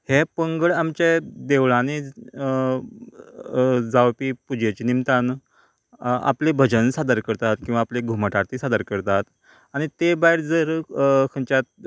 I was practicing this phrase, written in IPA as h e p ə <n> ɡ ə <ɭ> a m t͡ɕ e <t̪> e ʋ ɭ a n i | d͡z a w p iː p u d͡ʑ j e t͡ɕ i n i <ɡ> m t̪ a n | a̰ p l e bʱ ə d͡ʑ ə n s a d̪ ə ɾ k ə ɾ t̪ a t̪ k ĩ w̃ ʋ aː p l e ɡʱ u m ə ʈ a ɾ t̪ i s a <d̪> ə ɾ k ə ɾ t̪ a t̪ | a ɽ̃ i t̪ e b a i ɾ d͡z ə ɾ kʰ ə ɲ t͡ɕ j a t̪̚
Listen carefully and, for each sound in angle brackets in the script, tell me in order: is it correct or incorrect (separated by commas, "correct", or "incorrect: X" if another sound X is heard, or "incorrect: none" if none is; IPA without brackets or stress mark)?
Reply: incorrect: ŋ, correct, incorrect: d̪, incorrect: none, correct